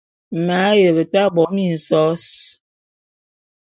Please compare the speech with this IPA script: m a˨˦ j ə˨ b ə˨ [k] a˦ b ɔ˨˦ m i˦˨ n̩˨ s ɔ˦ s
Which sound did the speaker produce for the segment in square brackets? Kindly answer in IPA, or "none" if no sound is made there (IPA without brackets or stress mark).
t